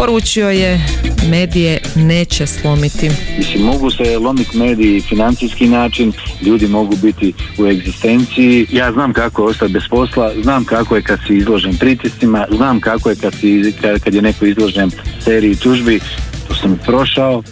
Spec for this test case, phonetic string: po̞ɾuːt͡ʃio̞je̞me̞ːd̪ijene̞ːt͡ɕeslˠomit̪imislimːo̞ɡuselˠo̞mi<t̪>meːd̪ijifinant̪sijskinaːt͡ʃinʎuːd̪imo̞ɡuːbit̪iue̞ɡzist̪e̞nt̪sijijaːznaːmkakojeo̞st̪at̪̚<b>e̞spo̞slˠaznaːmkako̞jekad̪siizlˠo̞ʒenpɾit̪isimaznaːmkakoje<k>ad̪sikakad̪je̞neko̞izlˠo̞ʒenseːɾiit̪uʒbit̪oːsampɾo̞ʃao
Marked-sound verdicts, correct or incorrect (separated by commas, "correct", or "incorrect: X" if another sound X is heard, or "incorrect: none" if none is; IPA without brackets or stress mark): correct, correct, correct